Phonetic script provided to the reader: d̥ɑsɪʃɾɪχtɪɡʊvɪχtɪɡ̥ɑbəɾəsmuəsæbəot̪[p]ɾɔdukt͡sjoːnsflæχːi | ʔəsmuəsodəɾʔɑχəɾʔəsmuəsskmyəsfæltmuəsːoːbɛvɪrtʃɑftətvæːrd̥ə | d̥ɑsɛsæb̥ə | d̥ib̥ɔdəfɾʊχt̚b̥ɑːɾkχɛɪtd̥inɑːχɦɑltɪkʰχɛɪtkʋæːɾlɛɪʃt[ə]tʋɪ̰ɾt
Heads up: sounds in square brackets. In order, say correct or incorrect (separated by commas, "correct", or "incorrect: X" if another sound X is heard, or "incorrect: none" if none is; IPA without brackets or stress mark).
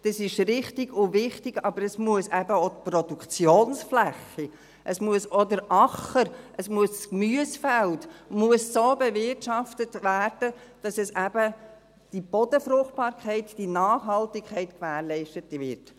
correct, correct